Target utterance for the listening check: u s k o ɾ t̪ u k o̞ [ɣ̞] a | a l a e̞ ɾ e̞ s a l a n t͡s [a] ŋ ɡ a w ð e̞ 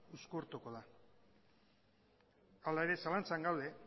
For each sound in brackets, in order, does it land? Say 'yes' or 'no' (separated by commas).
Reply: no, yes